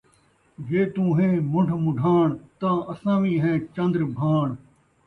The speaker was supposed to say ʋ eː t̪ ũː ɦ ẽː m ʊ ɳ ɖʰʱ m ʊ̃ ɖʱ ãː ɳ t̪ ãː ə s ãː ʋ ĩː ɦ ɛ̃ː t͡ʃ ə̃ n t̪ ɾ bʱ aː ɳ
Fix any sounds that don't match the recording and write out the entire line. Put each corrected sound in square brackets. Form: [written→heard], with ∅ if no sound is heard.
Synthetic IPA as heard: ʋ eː t̪ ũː ɦ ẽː m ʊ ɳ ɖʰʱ m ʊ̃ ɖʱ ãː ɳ t̪ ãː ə s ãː ʋ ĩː ɦ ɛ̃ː t͡ʃ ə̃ n [t̪→d̪] ɾ bʱ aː ɳ